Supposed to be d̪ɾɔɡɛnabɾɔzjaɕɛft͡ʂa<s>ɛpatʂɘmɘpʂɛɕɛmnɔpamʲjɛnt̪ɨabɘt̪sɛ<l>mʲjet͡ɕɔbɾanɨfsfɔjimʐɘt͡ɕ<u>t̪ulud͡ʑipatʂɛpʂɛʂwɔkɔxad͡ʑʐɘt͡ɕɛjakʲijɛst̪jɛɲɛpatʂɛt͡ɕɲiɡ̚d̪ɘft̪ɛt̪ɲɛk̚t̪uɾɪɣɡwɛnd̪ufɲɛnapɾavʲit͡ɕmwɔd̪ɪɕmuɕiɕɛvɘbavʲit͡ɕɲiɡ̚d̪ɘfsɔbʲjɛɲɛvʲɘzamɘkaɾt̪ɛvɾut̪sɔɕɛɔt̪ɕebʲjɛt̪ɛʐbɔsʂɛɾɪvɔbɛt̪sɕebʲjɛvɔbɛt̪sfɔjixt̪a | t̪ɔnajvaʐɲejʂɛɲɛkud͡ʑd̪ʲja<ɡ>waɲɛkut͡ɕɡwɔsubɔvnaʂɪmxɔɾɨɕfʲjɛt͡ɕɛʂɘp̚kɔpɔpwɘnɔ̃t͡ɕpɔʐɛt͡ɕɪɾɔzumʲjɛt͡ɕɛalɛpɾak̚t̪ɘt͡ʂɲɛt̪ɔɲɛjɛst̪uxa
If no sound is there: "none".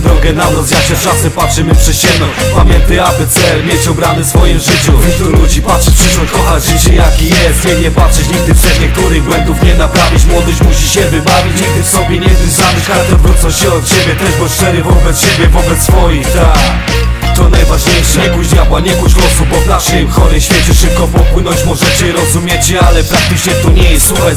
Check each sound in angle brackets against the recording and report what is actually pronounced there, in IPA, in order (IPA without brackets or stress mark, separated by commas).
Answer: s, l, u, b